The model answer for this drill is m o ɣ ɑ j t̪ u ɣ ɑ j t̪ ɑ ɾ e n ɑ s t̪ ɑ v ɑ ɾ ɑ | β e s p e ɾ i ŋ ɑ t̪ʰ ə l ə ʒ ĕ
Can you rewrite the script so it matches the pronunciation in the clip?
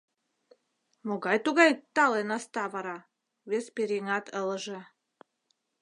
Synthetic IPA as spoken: m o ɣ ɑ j t̪ u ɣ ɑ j t̪ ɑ l e n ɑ s t̪ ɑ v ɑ ɾ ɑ | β e s p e ɾ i ŋ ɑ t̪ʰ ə l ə ʒ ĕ